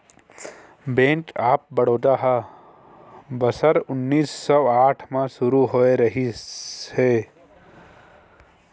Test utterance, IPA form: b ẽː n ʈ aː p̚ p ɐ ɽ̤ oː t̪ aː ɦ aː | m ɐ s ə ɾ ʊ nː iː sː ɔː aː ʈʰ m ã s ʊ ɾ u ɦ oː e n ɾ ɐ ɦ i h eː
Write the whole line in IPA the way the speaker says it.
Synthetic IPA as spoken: b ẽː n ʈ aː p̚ b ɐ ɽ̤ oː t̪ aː ɦ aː | b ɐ s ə ɾ ʊ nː iː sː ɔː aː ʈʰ m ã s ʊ ɾ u ɦ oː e ɾ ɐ ɦ i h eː